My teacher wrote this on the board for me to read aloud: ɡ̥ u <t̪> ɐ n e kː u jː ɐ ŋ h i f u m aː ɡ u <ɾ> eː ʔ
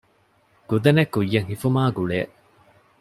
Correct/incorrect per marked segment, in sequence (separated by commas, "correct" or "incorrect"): incorrect, incorrect